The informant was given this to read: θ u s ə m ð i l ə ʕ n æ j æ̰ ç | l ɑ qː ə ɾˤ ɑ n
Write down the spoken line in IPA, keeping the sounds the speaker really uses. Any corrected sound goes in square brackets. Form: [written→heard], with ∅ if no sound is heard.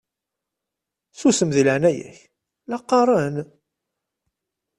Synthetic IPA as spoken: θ u s ə m ð i l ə ʕ n æ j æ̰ ç | l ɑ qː [ə→ɑ] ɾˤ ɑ n

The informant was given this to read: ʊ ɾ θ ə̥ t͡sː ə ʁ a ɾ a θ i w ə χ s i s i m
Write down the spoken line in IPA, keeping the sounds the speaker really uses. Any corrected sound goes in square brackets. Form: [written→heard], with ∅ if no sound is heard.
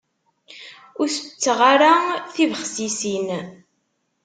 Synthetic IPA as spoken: ʊ ɾ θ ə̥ t͡sː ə ʁ a ɾ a θ i [w→v] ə χ s i s i [m→n]

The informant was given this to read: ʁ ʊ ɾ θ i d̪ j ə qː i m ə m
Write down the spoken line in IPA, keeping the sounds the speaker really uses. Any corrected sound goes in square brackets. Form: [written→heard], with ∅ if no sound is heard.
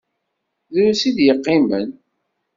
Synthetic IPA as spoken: [ʁ→ð] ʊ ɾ [θ→s] i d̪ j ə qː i m ə [m→n]

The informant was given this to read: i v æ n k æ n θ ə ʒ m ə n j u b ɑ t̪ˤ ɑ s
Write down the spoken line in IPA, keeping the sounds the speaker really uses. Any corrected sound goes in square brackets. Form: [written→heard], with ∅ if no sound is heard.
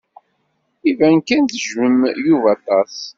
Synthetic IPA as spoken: i v æ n k æ n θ ə ʒ m ə [n→m] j u [b→v] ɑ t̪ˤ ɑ s

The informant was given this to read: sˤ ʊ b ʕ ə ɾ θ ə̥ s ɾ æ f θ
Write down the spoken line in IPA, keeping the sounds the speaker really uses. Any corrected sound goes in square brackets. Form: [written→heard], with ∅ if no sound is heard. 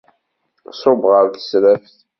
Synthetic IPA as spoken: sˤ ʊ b [ʕ→ʁ] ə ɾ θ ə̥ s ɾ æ f θ

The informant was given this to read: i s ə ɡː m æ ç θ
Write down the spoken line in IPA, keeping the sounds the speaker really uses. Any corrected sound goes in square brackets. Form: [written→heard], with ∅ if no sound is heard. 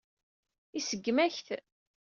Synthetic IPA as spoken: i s ə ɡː m æ ç θ

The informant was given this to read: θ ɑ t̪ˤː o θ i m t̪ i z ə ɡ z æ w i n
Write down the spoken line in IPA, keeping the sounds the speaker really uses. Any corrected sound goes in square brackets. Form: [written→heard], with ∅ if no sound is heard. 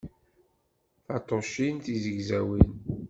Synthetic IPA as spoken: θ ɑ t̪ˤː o [θ→ʃ] i [m→n] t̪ i z ə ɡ z æ w i n

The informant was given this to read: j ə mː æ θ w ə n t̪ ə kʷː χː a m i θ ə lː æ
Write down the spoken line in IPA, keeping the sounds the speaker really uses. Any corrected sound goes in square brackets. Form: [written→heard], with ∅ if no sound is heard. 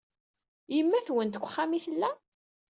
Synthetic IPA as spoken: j ə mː æ θ w ə n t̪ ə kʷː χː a m i θ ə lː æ

